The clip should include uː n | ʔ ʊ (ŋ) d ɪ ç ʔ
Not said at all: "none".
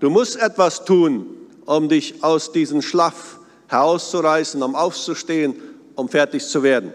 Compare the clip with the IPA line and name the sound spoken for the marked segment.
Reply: m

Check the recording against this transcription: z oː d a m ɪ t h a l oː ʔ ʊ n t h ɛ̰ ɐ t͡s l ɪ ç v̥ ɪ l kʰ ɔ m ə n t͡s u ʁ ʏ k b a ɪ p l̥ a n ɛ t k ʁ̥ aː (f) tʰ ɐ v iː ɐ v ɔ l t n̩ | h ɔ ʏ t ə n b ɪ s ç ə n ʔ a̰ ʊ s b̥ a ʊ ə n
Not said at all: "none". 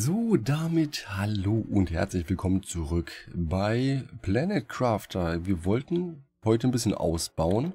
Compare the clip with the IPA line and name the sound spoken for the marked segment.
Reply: f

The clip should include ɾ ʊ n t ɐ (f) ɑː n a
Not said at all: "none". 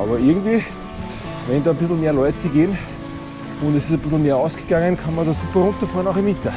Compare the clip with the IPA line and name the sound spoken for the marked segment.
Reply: f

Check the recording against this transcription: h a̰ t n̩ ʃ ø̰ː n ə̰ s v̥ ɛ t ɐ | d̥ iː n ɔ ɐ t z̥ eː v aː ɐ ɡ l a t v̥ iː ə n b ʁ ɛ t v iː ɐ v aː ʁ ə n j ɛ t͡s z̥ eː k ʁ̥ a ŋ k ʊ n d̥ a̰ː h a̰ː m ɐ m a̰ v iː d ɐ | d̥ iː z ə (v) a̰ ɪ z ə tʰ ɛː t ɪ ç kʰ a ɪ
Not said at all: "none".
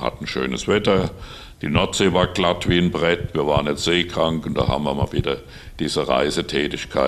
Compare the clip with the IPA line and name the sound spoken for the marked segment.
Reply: ʁ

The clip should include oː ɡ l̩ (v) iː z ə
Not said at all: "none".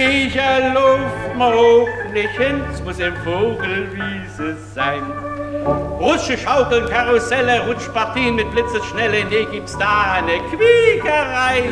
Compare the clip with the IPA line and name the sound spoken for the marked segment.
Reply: v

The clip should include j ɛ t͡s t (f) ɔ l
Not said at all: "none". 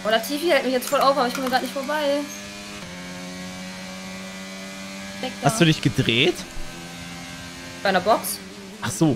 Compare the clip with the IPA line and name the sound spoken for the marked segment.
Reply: f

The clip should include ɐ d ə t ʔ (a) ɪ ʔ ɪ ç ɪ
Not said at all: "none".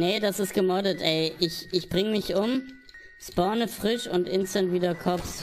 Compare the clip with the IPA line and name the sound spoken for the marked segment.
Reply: ɛ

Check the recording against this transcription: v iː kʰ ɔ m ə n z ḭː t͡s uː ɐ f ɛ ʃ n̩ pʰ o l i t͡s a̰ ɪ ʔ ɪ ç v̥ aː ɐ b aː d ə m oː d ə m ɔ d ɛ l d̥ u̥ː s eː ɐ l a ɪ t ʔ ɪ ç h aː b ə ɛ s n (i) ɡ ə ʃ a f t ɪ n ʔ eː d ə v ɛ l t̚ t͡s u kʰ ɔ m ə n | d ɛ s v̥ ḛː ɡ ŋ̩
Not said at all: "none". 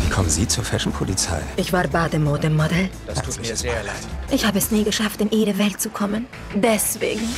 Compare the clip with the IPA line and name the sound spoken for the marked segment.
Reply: iː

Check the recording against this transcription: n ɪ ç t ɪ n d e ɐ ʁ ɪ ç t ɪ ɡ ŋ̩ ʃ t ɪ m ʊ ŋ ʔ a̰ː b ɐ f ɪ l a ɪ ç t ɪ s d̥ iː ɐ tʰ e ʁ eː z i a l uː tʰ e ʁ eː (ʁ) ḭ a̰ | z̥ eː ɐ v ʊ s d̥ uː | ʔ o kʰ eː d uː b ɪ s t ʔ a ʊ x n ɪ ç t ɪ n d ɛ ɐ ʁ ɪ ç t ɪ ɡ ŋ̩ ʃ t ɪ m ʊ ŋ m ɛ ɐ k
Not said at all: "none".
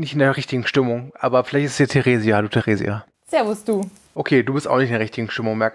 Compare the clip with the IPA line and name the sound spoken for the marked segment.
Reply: z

